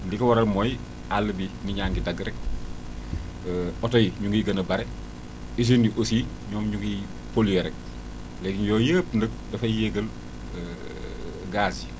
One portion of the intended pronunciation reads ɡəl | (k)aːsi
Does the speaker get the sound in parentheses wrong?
yes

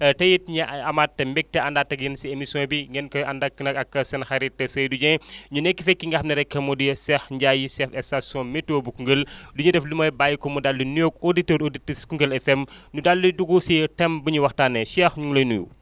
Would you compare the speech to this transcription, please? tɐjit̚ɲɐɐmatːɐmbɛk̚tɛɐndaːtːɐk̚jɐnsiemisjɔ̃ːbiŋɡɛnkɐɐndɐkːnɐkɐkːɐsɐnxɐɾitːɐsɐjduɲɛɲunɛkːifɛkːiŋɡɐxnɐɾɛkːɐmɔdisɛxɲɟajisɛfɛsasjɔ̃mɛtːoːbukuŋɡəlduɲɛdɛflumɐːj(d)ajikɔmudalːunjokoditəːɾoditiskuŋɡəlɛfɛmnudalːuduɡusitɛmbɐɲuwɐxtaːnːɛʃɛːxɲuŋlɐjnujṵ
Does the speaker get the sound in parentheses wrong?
yes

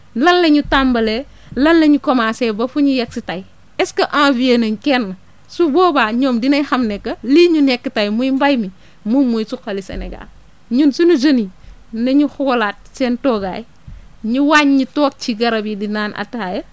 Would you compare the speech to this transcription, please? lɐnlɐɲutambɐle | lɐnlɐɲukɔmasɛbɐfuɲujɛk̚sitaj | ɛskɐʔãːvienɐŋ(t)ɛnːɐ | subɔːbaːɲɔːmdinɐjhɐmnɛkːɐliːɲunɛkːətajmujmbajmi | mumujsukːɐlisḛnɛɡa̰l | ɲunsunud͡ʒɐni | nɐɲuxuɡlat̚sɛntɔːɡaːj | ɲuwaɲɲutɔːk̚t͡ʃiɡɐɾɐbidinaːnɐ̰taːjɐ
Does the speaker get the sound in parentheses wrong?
yes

